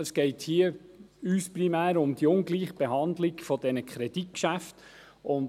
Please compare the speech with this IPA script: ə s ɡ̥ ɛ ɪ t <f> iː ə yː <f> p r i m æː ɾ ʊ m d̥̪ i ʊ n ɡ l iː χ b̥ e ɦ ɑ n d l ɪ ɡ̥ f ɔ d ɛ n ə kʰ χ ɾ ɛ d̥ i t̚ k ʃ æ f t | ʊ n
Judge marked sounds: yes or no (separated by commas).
no, no